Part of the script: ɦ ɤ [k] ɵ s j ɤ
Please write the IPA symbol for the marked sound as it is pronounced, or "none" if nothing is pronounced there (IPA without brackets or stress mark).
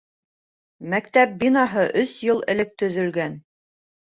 ʔ